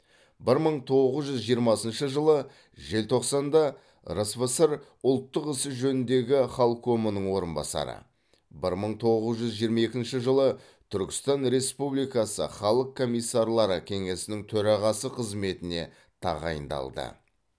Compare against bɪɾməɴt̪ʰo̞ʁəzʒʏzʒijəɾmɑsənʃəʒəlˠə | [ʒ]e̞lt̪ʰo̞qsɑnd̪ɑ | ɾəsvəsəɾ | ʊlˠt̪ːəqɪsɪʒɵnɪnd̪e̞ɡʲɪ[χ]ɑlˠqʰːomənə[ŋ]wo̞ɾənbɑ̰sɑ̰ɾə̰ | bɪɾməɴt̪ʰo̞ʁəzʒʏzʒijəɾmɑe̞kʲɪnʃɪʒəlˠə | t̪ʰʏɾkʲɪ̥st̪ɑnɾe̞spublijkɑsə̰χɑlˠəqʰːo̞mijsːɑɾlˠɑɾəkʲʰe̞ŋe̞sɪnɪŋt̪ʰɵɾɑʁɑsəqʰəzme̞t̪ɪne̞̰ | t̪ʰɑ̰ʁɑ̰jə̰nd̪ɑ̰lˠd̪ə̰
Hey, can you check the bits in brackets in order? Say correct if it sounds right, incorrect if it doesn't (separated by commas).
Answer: correct, correct, incorrect